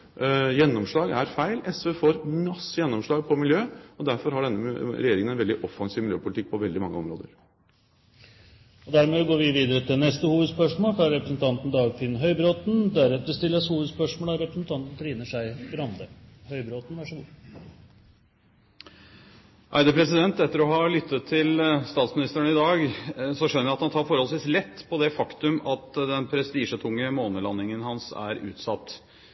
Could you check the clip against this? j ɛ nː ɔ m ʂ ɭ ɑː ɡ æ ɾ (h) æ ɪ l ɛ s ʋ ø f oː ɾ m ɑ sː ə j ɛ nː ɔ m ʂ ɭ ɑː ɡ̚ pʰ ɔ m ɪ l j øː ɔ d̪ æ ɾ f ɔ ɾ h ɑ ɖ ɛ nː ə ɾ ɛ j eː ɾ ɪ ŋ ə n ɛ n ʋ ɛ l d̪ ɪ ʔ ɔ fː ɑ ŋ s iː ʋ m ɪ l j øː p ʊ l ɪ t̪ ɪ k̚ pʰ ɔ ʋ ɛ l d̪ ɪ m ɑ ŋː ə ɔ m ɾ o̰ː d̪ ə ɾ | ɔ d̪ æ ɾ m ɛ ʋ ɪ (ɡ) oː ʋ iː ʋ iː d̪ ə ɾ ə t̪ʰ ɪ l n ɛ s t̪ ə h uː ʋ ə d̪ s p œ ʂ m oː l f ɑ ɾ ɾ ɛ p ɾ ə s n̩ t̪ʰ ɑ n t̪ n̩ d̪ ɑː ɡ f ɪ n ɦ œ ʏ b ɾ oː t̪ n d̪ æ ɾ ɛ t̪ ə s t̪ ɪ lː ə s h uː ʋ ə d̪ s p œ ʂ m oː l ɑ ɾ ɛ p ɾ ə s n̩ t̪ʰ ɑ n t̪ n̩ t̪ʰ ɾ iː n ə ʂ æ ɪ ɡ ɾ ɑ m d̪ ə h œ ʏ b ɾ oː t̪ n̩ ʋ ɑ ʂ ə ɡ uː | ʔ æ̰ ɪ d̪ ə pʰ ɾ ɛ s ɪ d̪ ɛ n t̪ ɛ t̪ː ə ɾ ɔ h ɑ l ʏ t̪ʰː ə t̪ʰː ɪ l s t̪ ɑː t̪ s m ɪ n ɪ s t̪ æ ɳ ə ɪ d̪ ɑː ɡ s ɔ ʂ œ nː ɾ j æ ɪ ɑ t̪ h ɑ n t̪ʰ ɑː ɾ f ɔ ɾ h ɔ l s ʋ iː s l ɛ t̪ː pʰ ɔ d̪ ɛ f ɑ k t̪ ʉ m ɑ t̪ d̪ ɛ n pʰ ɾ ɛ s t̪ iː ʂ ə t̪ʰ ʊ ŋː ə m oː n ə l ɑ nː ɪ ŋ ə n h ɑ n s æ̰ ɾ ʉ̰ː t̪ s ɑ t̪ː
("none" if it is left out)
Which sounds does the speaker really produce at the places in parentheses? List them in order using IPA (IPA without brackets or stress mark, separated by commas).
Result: f, ɡ